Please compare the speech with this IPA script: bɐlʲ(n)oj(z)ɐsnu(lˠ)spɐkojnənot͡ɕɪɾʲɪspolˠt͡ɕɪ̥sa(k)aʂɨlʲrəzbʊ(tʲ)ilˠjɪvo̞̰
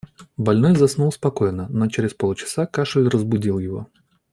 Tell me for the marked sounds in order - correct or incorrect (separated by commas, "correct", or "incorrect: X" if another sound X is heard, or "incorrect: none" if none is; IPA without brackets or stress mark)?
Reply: correct, correct, correct, correct, incorrect: dʲ